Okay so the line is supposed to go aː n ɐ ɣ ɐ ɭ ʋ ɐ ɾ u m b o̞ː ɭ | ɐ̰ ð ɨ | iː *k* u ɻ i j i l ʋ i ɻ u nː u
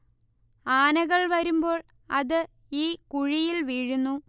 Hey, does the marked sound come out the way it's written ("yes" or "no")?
yes